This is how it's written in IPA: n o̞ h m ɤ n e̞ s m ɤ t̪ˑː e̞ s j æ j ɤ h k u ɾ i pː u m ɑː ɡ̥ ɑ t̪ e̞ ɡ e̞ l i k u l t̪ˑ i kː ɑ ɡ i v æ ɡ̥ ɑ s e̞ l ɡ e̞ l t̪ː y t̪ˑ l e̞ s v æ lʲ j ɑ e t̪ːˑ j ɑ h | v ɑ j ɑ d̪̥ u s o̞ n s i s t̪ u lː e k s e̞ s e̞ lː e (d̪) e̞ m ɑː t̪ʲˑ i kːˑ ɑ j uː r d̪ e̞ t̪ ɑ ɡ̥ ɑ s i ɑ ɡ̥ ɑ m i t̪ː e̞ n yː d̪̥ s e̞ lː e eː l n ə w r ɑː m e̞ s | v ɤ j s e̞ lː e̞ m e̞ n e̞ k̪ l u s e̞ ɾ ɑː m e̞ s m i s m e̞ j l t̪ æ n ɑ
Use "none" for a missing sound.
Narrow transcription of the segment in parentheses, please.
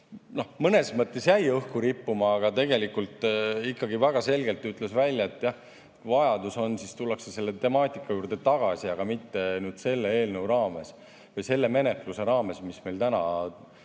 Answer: t̪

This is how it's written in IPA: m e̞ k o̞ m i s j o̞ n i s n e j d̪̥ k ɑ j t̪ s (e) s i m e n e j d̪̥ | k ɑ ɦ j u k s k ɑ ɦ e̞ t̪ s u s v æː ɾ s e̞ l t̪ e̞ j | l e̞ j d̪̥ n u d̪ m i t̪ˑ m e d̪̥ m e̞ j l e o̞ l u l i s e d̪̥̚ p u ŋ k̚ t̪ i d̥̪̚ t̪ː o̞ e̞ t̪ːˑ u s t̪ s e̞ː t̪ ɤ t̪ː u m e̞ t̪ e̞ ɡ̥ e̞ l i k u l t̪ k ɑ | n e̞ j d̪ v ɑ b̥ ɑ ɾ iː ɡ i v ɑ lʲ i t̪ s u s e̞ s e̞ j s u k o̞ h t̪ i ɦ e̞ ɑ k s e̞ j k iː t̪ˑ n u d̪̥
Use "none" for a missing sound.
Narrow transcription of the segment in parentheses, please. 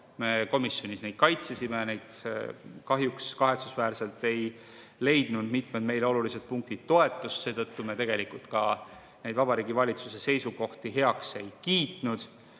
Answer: e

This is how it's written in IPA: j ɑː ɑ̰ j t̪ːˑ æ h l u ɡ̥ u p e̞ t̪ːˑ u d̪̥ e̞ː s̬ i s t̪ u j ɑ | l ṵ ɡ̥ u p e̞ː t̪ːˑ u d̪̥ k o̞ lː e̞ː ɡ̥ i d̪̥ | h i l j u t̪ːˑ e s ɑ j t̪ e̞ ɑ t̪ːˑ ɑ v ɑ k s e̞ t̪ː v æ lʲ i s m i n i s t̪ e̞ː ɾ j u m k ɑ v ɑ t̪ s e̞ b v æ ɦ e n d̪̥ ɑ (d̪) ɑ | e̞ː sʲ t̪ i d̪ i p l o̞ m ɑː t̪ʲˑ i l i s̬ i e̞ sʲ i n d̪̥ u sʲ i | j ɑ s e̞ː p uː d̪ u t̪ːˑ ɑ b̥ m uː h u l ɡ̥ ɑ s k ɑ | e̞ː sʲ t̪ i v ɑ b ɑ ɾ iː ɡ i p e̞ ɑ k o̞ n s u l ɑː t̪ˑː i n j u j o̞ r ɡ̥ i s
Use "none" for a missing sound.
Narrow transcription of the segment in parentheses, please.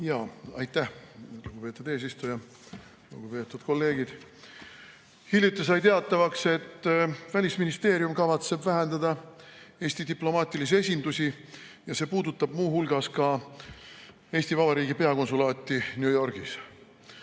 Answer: d̪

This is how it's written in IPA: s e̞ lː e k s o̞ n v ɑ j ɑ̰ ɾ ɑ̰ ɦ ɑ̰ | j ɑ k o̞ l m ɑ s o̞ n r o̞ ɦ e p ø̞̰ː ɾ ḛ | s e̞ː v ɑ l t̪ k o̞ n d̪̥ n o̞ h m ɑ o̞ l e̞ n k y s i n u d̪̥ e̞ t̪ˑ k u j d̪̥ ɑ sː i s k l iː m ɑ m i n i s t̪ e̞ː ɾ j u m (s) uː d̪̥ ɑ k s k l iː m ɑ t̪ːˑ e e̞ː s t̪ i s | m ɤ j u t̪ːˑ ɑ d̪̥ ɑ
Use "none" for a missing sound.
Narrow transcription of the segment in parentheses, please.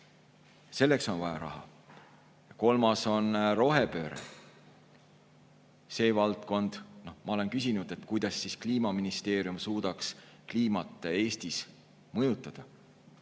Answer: s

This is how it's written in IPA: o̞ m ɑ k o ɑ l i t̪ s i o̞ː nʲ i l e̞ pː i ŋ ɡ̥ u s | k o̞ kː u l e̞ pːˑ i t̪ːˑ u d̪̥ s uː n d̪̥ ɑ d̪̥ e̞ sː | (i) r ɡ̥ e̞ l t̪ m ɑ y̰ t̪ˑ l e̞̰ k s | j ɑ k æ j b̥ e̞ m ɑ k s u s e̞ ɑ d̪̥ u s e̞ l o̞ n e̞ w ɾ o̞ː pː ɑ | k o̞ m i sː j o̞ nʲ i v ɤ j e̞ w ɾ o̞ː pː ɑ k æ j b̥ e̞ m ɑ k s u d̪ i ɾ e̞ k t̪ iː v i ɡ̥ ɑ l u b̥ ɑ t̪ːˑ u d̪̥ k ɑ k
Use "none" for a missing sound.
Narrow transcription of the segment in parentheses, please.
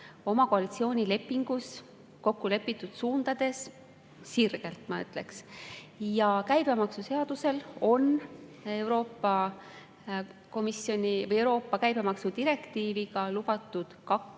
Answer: i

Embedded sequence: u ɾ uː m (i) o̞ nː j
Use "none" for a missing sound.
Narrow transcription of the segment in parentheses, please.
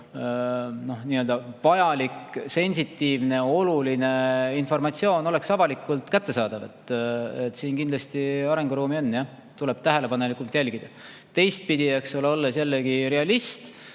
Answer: i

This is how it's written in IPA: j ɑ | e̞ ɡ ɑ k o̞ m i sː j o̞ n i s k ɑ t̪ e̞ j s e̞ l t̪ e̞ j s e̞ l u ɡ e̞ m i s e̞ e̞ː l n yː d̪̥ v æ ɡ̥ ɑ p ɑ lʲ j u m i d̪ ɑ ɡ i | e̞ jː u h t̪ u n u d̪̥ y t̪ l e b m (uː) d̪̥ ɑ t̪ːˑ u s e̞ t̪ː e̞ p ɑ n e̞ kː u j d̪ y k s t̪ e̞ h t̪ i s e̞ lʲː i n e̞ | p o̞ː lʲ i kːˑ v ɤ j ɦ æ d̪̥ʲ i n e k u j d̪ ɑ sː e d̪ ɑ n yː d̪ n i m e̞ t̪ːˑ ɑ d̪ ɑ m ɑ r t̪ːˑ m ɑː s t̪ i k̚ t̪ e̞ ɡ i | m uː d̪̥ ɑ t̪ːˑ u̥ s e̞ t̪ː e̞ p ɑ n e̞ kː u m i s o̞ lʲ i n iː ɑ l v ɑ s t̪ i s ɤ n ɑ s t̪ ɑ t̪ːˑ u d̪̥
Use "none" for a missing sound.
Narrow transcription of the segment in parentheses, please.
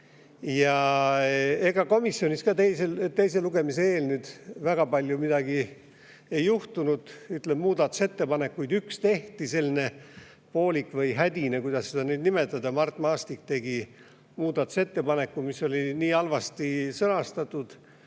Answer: uː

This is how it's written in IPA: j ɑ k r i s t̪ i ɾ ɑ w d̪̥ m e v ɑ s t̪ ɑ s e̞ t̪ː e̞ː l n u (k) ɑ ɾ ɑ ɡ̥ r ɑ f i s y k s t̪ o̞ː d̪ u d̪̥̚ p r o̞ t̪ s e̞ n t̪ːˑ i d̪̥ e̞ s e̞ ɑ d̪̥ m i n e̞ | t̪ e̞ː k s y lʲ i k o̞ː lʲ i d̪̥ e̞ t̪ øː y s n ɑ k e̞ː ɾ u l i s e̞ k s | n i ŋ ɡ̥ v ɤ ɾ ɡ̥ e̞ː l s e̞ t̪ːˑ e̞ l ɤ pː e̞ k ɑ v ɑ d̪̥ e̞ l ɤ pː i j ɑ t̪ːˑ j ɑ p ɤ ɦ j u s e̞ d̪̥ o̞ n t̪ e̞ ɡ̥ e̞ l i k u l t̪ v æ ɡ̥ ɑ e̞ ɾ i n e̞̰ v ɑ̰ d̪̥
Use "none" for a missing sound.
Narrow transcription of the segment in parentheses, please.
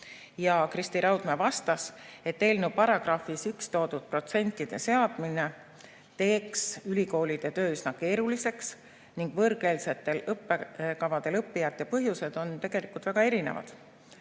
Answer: p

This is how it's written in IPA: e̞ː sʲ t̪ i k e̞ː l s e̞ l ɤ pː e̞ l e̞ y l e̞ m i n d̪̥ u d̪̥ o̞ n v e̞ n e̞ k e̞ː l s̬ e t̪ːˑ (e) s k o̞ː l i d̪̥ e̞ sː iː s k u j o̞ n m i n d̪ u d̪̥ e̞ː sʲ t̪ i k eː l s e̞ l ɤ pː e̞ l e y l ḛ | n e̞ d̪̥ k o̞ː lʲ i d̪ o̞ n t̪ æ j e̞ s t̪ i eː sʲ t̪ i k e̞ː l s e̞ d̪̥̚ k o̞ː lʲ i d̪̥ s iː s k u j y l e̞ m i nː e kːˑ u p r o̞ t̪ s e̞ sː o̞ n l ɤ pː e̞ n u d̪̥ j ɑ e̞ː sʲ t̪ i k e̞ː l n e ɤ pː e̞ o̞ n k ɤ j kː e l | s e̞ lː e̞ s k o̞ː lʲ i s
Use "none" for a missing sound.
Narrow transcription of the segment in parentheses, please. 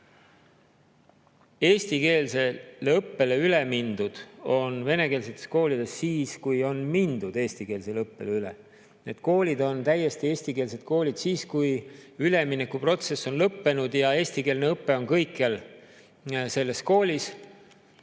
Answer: e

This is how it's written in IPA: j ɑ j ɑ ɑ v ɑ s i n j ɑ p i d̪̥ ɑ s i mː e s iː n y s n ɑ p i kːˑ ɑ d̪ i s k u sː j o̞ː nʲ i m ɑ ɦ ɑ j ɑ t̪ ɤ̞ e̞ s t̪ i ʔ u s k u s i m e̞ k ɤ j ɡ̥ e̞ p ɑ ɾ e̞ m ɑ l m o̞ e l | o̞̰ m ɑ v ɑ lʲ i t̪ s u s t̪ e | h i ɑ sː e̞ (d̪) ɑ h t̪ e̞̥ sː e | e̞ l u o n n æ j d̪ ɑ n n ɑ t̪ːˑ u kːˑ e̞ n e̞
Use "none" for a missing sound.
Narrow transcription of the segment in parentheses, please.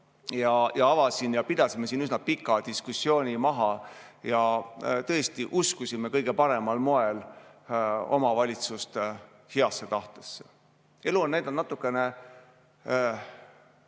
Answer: t̪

